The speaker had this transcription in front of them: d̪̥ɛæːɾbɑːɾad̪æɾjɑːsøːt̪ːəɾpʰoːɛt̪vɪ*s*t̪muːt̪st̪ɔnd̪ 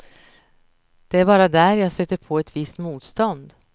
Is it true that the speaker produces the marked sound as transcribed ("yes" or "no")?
yes